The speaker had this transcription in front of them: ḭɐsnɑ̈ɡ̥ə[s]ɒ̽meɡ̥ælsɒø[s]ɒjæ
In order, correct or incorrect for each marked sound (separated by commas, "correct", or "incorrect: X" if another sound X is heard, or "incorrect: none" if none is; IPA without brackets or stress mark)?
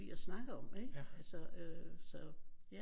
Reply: incorrect: none, correct